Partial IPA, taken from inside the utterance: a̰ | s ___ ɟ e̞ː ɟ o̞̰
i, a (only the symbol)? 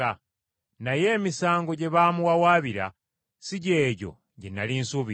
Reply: i